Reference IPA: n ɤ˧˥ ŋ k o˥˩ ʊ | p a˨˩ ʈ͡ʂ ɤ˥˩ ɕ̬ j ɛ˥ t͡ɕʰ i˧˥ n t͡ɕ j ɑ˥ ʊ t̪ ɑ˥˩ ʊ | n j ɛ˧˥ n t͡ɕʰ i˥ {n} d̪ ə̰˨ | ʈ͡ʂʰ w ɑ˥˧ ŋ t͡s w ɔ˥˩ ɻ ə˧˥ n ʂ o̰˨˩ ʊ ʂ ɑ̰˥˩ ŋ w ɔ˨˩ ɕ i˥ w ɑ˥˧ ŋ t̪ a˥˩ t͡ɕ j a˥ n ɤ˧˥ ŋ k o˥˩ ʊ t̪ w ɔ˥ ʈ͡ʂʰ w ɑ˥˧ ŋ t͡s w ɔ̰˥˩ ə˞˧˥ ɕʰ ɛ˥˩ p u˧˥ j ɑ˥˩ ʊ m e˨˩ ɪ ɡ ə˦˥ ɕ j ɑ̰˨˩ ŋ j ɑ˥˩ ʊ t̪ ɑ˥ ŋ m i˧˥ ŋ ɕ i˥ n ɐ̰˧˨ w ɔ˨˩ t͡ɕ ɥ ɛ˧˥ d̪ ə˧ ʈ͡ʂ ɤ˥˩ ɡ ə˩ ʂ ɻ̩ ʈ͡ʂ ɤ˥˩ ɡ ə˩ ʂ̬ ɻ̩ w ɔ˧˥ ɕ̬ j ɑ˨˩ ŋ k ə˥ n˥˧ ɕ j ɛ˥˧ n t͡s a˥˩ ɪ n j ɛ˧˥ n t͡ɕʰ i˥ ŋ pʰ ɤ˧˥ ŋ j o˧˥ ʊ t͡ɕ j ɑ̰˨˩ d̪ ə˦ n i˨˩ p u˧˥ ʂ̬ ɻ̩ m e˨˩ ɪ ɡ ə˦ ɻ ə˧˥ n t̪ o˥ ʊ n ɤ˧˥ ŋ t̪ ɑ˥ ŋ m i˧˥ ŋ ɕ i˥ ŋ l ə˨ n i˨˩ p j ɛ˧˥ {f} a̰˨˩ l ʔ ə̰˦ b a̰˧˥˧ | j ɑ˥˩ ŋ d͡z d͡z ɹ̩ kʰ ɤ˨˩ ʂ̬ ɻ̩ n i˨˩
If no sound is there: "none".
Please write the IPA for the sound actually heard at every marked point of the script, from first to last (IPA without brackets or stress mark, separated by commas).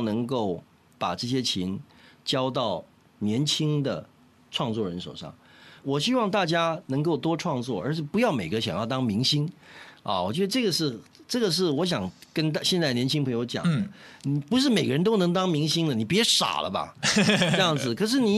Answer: ŋ, ʂ